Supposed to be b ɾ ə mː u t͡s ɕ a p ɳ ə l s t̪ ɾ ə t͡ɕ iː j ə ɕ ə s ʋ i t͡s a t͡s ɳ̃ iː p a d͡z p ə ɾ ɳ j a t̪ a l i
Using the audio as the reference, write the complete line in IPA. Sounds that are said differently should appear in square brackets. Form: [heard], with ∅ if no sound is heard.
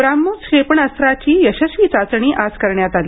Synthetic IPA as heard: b ɾ [a] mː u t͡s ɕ [e] p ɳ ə [∅] s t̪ ɾ [a] t͡ɕ iː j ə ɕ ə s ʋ i t͡s a t͡s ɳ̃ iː [ʔ] a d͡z [k] ə ɾ ɳ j a t̪ a l i